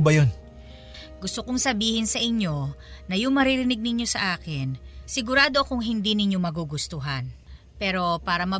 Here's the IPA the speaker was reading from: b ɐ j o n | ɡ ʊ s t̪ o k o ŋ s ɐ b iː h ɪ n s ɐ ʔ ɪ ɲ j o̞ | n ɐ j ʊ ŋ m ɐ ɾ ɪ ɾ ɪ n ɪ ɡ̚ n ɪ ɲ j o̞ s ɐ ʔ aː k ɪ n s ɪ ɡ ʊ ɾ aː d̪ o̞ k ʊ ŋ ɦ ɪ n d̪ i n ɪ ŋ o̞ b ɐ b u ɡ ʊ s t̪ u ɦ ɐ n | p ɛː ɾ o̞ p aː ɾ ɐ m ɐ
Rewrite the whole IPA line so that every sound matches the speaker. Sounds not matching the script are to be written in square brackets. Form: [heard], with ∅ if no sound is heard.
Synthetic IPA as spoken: b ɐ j o n | ɡ ʊ s t̪ o k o ŋ s ɐ b iː h ɪ n s ɐ ʔ ɪ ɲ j o̞ | n ɐ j ʊ ŋ m ɐ ɾ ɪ ɾ ɪ n ɪ ɡ̚ n ɪ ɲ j o̞ s ɐ ʔ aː k ɪ n s ɪ ɡ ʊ ɾ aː d̪ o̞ k ʊ ŋ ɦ ɪ n d̪ i n ɪ [ɲ] o̞ [m] ɐ [ɡ] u ɡ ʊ s t̪ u ɦ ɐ n | p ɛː ɾ o̞ p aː ɾ ɐ m ɐ